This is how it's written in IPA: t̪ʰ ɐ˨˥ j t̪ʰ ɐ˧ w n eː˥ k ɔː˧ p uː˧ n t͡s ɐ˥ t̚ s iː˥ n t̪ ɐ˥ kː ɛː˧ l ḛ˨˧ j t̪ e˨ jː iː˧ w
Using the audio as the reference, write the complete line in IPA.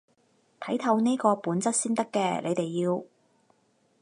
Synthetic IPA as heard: t̪ʰ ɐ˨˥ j t̪ʰ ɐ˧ w n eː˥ k ɔː˧ p uː˨˥ n t͡s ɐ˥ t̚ s iː˥ n t̪ ɐ˥ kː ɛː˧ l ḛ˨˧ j t̪ e˨ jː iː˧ w